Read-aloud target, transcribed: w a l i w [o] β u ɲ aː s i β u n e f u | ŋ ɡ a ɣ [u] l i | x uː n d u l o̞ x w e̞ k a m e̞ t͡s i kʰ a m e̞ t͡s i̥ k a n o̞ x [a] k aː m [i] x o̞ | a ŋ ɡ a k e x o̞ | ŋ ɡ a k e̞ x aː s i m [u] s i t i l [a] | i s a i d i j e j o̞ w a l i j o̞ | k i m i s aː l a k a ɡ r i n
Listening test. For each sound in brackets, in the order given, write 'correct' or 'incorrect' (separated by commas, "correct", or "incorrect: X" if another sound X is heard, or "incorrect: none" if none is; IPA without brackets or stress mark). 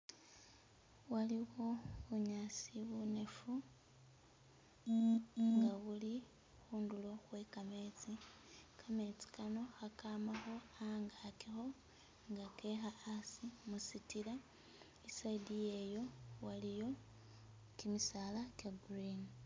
correct, correct, correct, incorrect: a, correct, correct